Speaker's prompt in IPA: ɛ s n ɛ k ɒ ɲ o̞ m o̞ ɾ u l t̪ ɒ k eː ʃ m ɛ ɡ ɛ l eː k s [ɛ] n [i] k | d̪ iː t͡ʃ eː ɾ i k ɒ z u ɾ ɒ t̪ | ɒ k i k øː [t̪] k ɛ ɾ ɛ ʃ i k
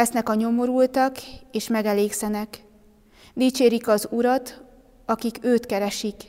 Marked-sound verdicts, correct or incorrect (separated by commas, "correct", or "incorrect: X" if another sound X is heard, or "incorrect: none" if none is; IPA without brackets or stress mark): correct, incorrect: ɛ, correct